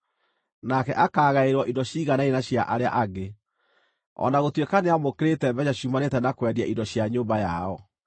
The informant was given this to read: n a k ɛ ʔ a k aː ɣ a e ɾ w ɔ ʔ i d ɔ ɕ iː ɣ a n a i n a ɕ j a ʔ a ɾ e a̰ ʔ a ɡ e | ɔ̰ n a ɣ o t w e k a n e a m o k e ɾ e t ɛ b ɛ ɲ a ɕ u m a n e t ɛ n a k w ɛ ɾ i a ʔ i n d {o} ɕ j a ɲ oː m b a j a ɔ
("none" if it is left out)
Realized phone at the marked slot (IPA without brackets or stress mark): ɔ